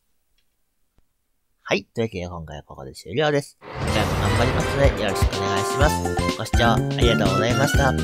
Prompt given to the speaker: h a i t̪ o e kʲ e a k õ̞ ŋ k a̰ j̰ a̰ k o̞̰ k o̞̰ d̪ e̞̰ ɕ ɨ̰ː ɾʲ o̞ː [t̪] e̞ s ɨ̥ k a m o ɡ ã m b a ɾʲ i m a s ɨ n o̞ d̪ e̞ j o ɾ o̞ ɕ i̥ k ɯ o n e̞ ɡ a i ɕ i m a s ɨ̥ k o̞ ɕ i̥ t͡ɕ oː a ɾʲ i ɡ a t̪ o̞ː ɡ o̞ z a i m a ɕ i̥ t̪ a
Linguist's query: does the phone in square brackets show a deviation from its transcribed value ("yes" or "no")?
yes